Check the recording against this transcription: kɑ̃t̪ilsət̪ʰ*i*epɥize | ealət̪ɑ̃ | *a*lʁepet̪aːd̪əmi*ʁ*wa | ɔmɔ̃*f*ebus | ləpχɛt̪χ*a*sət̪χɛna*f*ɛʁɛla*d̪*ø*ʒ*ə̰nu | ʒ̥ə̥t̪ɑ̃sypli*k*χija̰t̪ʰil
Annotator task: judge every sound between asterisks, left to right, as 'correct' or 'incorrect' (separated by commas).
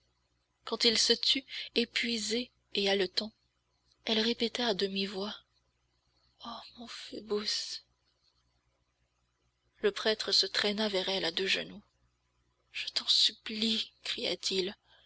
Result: incorrect, incorrect, incorrect, correct, incorrect, incorrect, correct, correct, correct